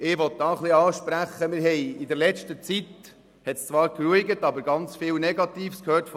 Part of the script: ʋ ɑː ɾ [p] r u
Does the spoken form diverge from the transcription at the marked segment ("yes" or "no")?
yes